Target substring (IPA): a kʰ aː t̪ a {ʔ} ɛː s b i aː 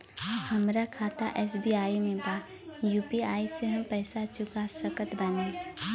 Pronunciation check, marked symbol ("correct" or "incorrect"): correct